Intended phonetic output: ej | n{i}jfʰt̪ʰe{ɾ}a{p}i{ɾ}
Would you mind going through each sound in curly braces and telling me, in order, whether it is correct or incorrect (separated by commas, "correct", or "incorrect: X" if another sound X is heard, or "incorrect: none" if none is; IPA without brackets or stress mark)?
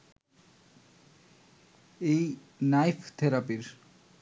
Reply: incorrect: a, correct, correct, correct